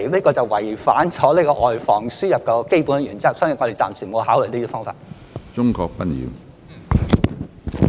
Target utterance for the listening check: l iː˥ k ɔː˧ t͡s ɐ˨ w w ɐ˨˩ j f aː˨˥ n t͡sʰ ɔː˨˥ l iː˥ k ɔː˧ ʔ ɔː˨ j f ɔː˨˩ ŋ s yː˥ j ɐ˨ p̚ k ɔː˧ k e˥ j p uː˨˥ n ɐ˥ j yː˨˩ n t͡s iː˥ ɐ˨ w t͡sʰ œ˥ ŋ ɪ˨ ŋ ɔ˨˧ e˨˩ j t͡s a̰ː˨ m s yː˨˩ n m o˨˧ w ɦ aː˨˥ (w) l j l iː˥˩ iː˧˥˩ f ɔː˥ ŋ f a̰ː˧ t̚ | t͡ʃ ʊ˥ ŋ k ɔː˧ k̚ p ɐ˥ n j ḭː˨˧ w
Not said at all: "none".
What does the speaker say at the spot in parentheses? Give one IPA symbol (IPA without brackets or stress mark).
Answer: w